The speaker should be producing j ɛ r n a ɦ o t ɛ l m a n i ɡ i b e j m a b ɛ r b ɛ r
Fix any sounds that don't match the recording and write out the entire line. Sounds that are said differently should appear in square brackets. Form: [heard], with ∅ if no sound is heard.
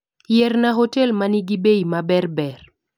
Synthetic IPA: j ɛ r n a ɦ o t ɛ l m a n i ɡ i b e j m a b ɛ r b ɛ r